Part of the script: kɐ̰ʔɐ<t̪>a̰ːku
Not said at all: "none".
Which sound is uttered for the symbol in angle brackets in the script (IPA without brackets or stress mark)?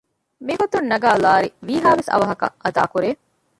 d̪